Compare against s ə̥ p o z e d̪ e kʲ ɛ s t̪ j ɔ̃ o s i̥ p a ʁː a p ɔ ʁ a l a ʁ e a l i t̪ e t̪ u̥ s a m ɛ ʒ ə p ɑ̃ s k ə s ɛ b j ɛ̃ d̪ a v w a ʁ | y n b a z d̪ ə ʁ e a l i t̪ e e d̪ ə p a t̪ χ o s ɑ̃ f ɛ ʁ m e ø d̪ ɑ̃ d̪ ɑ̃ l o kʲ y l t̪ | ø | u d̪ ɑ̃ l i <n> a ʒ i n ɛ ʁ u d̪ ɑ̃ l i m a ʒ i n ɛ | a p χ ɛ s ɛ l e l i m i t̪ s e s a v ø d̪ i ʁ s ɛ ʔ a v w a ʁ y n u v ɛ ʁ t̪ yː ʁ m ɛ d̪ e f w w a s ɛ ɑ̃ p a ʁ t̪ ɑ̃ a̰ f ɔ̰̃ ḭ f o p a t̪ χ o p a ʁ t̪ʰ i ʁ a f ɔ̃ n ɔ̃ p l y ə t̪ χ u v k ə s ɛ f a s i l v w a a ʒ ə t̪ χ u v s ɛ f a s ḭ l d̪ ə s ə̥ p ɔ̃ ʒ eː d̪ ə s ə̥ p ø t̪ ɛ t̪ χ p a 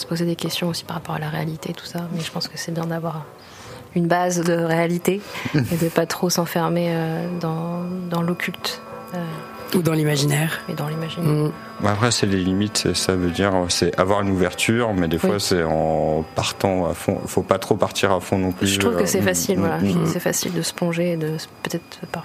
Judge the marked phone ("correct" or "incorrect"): incorrect